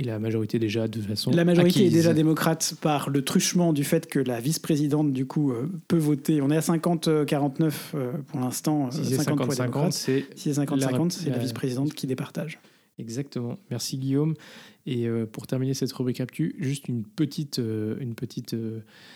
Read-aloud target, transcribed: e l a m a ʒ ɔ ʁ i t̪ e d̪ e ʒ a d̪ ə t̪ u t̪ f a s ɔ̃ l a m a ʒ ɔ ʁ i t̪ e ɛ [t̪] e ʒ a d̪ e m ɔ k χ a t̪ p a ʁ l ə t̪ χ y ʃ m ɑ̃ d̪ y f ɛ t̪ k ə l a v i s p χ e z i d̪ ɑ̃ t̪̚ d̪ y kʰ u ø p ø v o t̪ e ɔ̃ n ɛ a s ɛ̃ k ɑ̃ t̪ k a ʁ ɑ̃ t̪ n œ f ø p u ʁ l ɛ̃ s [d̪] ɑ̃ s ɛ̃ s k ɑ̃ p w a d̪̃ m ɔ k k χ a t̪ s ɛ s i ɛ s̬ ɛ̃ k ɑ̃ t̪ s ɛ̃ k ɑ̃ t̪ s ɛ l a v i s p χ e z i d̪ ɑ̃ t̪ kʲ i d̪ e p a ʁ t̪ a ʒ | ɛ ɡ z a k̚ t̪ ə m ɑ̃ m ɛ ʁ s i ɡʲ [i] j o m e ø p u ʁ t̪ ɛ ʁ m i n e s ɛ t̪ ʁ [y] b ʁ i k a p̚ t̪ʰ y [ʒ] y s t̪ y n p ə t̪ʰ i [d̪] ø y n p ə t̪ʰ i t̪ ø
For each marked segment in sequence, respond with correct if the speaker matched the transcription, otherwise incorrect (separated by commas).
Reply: incorrect, incorrect, correct, correct, correct, incorrect